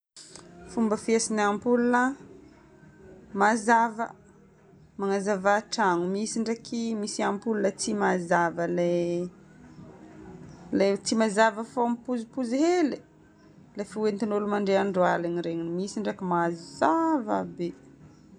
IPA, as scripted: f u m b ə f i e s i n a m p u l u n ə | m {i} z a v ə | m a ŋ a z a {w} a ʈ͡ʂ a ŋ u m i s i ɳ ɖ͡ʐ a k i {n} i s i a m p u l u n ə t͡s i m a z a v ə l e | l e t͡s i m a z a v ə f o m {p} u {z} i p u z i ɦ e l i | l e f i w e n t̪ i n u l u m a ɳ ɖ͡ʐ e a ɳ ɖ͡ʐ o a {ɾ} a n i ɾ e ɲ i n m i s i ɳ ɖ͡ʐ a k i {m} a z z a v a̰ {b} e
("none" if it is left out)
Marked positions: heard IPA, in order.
a, v, m, p, z, l, m, b

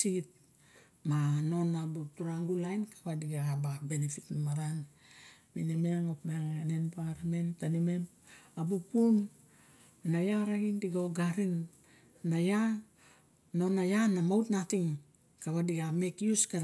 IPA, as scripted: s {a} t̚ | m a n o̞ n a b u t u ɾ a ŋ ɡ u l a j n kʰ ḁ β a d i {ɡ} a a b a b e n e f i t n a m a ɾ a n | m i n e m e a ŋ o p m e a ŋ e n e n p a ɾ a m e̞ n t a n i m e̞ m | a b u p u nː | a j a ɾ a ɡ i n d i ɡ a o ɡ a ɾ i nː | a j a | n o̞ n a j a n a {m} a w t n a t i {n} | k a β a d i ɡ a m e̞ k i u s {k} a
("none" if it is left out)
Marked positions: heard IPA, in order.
i, ɡ, m, ŋ, k

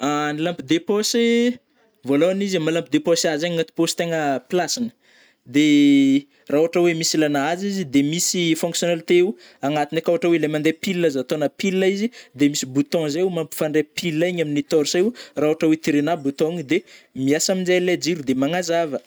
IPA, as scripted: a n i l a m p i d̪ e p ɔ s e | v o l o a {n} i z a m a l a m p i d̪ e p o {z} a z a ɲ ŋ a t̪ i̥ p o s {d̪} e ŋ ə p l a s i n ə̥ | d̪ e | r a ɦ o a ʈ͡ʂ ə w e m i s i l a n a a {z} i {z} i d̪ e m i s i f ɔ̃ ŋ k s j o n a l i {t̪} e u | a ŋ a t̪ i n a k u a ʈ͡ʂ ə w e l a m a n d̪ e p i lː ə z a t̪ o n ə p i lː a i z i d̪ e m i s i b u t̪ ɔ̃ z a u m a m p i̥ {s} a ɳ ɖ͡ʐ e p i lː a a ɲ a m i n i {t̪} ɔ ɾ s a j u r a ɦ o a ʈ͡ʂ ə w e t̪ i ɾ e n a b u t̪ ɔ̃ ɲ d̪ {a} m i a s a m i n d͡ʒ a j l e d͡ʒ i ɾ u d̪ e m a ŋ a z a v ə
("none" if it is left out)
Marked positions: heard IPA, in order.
n, s, t̪, z, z, t̪, f, t̪, e

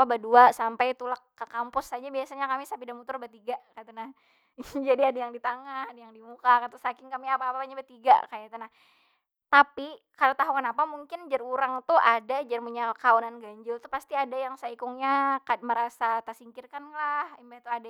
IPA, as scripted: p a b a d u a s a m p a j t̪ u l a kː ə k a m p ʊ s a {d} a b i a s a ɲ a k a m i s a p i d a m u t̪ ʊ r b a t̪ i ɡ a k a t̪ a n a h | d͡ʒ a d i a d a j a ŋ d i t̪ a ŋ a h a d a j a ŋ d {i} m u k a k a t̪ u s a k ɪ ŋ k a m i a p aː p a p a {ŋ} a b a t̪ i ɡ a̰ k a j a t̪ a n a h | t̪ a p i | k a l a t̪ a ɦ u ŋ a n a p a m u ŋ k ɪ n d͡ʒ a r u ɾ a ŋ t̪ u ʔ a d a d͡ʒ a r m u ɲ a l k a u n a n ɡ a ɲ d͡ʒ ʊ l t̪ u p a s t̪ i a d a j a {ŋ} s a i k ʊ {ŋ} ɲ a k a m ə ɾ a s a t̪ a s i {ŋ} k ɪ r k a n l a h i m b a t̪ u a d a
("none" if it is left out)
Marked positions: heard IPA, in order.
d͡ʒ, i, ɲ, ŋ, ŋ, ŋ

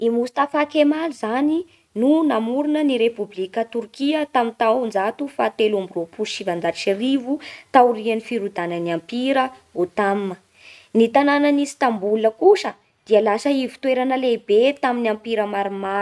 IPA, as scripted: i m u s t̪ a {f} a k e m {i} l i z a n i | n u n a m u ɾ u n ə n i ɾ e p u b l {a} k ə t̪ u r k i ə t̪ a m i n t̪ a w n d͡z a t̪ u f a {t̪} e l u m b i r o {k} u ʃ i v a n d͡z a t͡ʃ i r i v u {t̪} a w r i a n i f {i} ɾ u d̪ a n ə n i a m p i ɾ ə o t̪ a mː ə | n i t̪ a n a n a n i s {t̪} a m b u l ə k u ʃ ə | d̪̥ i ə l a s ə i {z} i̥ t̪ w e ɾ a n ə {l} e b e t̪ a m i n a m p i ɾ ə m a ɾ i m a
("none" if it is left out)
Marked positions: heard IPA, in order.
f, a, i, t̪, p, t̪, i, t̪, v, l

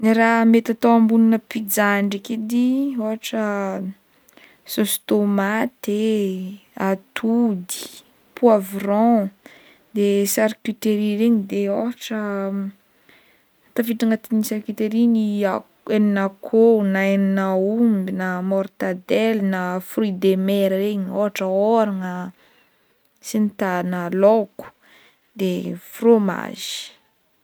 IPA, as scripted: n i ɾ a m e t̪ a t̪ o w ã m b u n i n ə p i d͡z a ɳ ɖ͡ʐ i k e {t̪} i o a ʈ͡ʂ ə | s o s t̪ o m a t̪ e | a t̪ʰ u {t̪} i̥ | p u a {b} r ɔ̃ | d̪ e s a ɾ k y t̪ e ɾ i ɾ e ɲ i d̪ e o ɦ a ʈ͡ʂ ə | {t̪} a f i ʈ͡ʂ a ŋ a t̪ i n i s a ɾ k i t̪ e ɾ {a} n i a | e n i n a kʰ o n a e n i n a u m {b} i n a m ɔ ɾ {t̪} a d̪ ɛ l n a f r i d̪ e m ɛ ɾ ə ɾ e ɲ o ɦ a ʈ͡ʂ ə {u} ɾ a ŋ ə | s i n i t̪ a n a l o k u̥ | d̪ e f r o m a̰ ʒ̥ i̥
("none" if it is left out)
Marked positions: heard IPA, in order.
d̪, d̪, v, t̪, i, b, t̪, o

